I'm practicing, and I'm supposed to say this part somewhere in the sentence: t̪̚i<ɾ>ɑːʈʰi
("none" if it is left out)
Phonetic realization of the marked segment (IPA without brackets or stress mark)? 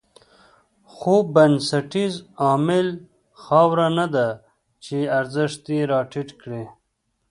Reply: ɾ